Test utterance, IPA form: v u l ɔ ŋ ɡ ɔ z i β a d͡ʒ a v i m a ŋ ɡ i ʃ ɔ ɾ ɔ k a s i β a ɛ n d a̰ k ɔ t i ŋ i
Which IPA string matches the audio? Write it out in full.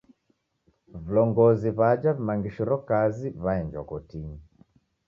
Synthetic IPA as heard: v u l ɔ ŋ ɡ ɔ z i β a d͡ʒ a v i m a ŋ ɡ i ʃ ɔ ɾ ɔ k a z i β a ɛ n d͡ʒ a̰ k ɔ t i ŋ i